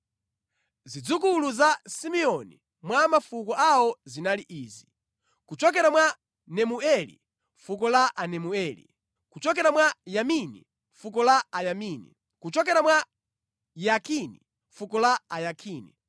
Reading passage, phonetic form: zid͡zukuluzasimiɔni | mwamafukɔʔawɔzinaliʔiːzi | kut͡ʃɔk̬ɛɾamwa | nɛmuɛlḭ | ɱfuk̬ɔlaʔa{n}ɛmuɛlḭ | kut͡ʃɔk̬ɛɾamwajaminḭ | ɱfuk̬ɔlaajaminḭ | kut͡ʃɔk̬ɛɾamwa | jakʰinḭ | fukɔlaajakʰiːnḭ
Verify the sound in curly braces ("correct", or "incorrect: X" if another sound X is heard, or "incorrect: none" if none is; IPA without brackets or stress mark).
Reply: correct